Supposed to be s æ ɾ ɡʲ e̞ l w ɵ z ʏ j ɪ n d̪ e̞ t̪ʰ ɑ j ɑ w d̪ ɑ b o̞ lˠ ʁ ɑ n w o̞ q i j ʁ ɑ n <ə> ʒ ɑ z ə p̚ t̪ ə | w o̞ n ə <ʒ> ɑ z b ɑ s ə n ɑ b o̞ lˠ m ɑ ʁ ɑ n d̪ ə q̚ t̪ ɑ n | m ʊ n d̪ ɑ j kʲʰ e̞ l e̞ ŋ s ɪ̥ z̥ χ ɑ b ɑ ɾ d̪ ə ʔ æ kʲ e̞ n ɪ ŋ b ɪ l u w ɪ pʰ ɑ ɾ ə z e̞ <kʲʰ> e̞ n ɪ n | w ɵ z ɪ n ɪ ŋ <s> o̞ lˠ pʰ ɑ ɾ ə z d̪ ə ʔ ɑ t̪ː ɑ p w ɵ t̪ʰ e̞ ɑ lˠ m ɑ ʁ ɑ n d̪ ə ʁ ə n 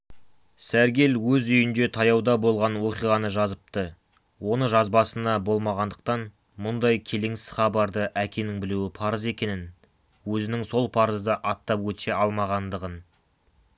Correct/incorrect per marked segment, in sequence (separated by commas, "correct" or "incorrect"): correct, correct, incorrect, correct